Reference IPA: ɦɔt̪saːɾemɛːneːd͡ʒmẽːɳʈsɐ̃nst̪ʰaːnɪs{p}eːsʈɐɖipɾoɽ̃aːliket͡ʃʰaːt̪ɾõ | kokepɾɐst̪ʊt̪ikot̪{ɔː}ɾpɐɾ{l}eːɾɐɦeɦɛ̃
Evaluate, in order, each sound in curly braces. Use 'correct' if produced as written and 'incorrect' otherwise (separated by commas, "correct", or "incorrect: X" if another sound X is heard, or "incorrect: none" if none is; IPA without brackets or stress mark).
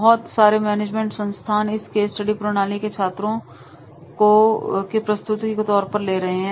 incorrect: k, correct, correct